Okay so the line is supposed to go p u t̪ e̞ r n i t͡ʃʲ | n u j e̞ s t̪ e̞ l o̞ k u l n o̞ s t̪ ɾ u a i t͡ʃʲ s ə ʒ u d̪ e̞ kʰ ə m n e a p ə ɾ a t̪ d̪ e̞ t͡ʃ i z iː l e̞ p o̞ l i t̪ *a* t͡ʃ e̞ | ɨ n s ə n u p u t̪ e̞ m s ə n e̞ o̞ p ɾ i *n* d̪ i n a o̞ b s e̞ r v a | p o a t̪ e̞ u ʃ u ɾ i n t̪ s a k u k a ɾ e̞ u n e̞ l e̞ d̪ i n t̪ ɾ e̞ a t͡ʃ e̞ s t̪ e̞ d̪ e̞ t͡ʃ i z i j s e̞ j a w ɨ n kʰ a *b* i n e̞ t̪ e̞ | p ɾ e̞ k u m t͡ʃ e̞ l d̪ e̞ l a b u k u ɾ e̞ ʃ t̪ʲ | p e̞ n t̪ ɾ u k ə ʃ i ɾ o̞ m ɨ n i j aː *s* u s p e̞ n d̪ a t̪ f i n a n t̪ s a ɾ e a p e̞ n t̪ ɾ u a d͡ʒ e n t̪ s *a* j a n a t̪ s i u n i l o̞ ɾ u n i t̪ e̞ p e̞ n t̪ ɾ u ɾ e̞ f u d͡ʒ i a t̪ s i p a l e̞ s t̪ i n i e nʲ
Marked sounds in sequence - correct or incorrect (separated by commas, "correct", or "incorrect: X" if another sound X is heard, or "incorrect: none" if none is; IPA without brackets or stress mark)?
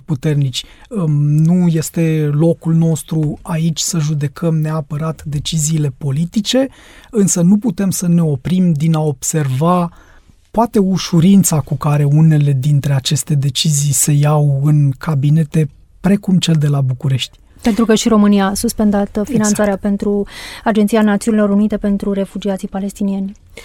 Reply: incorrect: i, incorrect: m, correct, correct, incorrect: i